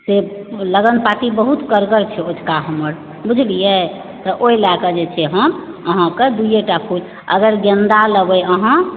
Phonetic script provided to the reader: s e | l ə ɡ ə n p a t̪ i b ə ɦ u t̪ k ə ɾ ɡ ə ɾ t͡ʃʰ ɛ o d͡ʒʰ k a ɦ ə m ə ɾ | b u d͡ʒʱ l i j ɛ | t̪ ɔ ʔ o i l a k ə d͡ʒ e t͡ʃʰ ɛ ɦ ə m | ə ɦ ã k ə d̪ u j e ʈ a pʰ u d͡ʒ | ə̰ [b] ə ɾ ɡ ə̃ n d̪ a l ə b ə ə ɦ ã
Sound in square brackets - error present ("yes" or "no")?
yes